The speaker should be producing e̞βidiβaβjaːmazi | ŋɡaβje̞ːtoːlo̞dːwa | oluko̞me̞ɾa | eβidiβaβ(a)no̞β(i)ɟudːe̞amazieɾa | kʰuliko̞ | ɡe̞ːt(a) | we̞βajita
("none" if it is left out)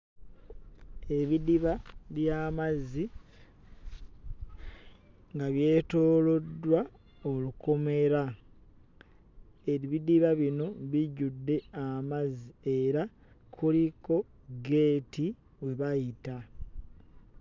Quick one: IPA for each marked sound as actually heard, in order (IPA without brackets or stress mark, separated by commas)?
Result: i, i, i